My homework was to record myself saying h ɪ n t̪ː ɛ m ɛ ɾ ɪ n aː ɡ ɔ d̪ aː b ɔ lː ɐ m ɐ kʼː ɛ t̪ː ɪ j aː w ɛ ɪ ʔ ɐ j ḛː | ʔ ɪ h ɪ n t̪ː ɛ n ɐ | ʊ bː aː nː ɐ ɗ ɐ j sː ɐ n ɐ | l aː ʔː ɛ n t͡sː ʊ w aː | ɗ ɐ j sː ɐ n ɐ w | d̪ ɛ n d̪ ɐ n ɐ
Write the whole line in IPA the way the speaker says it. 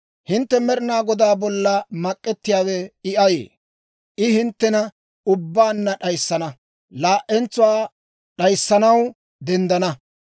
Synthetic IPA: h ɪ n t̪ː ɛ m ɛ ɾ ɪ n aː ɡ ɔ d̪ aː b ɔ lː ɐ m ɐ kʼː ɛ t̪ː ɪ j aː w ɛ ɪ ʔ ɐ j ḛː | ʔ ɪ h ɪ n t̪ː ɛ n ɐ | ʊ bː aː nː ɐ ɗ ɐ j sː ɐ n ɐ | l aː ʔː ɛ n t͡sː ʊ w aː | ɗ ɐ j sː ɐ n ɐ w | d̪ ɛ n d̪ ɐ n ɐ